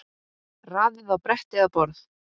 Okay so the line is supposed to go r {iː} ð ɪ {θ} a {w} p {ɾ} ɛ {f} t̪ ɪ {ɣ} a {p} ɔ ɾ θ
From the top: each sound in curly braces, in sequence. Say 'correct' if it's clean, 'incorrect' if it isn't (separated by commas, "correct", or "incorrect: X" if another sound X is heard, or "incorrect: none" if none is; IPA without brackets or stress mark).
incorrect: aː, incorrect: ð, correct, correct, incorrect: h, correct, correct